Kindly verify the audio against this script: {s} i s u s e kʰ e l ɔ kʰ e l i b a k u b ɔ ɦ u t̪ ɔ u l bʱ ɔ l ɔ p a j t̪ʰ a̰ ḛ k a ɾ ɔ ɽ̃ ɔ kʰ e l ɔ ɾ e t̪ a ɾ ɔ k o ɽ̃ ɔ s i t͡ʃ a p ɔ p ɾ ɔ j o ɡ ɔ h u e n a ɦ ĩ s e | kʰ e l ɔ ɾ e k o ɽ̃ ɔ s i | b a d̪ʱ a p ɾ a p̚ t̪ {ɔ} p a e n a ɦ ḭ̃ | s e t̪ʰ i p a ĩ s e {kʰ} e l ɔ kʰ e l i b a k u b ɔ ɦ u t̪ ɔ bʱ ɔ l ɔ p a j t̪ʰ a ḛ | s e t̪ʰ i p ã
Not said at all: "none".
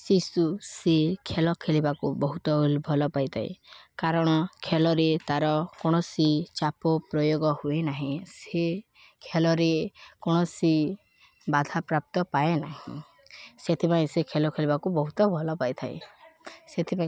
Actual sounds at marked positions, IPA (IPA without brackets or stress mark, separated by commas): s, ɔ, kʰ